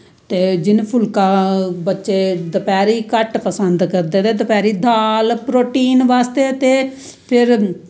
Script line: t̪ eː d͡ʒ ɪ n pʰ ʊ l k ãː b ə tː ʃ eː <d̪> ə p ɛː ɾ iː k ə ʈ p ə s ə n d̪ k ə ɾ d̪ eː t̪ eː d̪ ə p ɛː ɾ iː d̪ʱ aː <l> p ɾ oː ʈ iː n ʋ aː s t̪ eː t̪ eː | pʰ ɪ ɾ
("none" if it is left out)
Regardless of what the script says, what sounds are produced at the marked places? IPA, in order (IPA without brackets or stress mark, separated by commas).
d̪, l